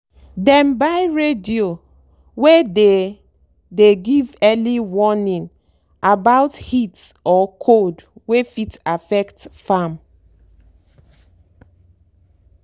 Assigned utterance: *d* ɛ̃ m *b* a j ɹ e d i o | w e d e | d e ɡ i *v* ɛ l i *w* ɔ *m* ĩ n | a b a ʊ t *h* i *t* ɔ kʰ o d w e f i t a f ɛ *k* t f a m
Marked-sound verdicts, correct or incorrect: correct, correct, correct, correct, incorrect, correct, correct, correct

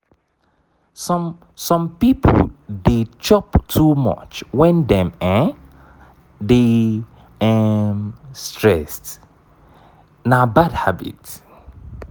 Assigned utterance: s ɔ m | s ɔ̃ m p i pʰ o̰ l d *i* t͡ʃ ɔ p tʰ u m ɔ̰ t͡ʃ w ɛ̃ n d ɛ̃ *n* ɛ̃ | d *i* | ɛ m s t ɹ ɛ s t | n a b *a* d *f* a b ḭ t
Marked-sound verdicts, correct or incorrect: incorrect, incorrect, incorrect, correct, incorrect

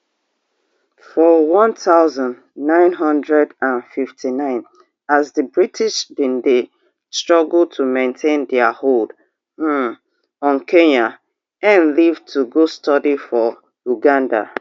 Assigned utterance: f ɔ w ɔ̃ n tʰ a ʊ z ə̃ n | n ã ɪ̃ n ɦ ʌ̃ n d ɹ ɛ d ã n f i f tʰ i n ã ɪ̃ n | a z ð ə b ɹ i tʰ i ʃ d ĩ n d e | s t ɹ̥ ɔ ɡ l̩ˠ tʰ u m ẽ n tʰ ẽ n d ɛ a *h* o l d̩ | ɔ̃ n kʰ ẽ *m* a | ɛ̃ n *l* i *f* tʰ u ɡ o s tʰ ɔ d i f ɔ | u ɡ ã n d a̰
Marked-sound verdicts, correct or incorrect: correct, incorrect, correct, incorrect

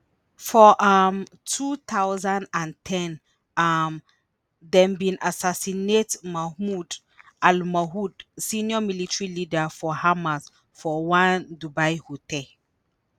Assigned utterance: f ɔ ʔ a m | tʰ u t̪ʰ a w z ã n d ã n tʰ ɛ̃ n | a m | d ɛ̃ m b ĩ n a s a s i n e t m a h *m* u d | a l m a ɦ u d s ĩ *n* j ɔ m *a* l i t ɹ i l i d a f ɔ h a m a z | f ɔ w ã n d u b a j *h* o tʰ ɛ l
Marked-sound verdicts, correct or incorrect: correct, correct, incorrect, correct

